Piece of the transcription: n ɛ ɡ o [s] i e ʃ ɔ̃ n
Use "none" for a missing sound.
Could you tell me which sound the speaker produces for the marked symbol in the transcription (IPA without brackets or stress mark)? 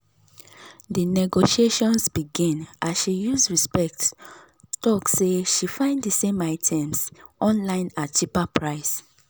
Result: ʃ